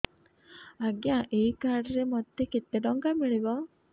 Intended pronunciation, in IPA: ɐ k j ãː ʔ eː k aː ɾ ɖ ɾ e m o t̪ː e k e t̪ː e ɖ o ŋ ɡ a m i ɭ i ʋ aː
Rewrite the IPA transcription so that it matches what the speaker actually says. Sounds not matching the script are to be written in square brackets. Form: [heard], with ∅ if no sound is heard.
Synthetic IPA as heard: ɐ [ɡ] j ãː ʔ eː k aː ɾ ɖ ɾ e m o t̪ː e k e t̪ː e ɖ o ŋ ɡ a m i ɭ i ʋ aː